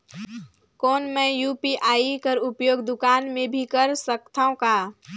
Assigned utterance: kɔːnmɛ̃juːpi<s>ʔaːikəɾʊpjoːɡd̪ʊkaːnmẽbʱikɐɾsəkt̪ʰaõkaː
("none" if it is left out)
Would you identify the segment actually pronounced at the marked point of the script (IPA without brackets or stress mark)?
none